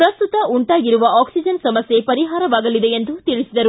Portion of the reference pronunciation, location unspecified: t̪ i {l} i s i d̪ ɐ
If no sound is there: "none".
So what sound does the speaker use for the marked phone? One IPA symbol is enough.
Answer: ɭ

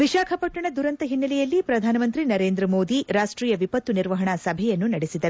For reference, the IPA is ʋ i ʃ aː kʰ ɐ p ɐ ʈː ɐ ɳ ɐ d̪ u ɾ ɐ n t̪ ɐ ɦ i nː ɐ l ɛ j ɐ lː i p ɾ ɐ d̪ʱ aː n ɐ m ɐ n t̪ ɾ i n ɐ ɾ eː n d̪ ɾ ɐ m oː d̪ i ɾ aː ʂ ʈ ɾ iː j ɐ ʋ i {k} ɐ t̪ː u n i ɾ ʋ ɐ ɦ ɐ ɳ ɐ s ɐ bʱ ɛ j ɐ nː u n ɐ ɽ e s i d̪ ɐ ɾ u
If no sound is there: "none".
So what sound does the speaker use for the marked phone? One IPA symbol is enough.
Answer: p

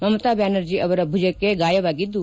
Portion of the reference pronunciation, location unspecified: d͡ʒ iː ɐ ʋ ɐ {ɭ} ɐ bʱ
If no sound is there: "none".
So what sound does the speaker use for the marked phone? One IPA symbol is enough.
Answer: ɾ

